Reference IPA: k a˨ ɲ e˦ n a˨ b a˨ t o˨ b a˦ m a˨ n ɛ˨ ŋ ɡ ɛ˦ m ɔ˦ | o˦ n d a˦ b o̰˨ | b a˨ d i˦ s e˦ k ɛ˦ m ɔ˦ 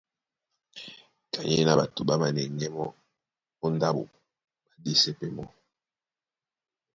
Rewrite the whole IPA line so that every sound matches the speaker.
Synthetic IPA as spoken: k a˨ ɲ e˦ n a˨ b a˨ t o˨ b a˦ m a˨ n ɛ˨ ŋ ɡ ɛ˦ m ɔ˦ | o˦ n d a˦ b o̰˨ | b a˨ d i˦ s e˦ p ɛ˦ m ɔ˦